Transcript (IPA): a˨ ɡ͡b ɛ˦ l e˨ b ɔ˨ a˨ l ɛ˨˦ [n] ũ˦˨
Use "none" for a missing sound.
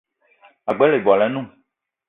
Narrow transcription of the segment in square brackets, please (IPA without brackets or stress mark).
n